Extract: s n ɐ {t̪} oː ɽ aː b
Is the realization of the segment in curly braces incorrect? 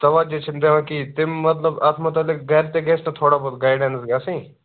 yes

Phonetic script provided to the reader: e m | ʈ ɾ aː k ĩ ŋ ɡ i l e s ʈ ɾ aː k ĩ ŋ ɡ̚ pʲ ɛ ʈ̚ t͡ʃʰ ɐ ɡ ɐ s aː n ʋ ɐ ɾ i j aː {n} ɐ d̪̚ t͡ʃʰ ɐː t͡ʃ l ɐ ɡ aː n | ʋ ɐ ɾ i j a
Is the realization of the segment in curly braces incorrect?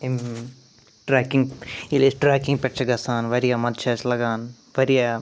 yes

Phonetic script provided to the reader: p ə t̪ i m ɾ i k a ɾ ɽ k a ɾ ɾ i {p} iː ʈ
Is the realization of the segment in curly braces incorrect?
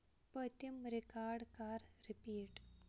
no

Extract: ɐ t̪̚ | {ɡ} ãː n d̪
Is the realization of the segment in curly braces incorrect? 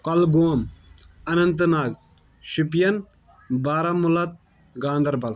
no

